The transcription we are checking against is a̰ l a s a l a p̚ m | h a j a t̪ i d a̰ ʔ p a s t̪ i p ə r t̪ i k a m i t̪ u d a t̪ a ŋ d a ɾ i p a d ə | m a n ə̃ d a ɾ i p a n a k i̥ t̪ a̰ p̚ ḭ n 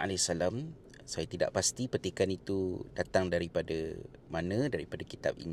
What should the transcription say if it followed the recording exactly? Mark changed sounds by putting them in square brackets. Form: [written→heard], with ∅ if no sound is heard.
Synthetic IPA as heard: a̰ l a s a l a [p̚→∅] m | [h→s] a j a t̪ i d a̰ ʔ p a s t̪ i p ə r t̪ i k a [m→n] i t̪ u d a t̪ a ŋ d a ɾ i p a d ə | m a n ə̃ d a ɾ i p a [n→d] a k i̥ t̪ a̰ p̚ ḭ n